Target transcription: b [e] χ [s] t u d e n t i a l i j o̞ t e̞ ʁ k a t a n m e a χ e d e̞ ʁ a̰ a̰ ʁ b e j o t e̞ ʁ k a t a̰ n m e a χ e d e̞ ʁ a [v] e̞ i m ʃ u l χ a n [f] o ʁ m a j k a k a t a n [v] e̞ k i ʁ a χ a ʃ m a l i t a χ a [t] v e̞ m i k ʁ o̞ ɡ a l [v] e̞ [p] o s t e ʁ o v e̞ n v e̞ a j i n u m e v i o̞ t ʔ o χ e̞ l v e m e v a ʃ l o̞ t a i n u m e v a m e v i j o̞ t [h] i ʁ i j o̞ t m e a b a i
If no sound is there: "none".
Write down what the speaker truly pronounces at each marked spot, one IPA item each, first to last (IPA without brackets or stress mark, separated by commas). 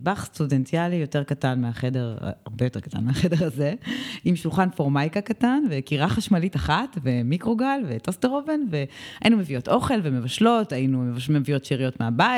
a, s, z, f, v, t, v, t, ʃ